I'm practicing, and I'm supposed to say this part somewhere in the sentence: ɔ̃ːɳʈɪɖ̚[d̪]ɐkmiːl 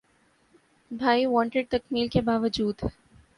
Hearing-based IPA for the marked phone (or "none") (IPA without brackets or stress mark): t̪